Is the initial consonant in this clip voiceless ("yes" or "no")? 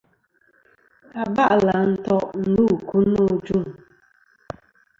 no